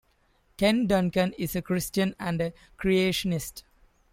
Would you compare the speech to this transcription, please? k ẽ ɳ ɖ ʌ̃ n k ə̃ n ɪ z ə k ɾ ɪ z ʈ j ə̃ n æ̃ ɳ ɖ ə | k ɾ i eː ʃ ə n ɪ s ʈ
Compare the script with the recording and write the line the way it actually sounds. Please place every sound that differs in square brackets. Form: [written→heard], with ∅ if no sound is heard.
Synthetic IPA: k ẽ [ɳ→n] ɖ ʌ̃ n k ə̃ n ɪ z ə k ɾ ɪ [z→s] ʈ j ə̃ n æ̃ ɳ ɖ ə | k ɾ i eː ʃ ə n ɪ s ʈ